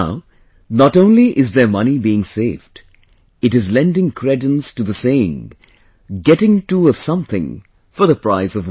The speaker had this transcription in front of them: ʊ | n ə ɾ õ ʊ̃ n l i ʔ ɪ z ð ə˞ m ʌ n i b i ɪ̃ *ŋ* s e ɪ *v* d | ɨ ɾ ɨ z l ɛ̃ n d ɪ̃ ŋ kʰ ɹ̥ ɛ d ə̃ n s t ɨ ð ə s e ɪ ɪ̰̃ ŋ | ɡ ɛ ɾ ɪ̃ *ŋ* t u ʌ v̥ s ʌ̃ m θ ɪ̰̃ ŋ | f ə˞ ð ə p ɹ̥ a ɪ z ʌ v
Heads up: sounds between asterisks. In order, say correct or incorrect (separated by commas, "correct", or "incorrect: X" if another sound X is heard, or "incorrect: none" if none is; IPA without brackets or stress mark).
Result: correct, correct, correct